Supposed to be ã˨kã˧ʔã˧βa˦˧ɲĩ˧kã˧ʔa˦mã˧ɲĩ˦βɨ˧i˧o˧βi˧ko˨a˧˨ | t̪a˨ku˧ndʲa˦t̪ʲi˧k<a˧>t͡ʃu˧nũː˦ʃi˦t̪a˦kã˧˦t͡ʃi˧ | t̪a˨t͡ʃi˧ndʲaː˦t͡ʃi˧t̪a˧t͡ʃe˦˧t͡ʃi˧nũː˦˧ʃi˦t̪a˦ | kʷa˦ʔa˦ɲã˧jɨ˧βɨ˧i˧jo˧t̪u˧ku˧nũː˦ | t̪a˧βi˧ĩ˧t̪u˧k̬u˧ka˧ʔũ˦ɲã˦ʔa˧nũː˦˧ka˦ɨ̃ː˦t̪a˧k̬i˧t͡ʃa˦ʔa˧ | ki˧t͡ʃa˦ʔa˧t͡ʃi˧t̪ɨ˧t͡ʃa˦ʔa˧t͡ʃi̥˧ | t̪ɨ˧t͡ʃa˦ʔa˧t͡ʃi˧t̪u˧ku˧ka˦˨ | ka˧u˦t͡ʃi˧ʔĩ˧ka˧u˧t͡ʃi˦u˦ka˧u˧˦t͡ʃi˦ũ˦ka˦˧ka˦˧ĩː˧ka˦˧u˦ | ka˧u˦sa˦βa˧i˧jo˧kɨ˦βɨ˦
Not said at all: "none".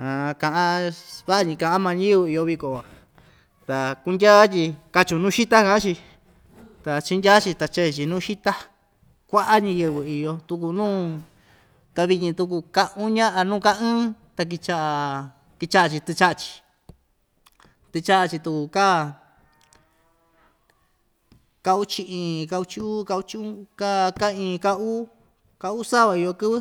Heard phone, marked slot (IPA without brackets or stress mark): a˧